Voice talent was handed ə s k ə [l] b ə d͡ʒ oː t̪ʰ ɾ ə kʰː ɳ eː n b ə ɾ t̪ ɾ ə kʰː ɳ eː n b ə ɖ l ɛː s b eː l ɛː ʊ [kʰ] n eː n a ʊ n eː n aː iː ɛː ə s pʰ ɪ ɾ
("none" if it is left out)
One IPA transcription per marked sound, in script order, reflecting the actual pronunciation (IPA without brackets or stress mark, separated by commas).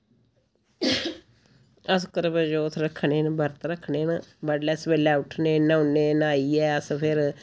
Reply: ɾ, ʈʰ